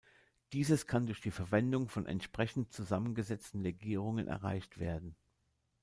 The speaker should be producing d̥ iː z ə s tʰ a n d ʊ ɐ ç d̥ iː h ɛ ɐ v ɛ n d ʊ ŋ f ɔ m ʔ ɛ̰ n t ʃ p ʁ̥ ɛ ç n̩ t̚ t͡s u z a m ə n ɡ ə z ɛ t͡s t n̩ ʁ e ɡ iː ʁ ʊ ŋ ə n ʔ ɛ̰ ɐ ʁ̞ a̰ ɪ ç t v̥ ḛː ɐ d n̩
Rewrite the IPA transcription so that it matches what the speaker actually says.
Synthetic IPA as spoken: d̥ iː z ə s kʰ a n d ʊ ɐ ç d̥ iː f ɛ ɐ v ɛ n d ʊ ŋ f ɔ n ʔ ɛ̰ n t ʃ p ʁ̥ ɛ ç n̩ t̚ t͡s u z a m ə n ɡ ə z ɛ t͡s t n̩ ʁ e ɡ iː ʁ ʊ ŋ ə n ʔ ɛ̰ ɐ ʁ̞ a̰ ɪ ç t v̥ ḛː ɐ d n̩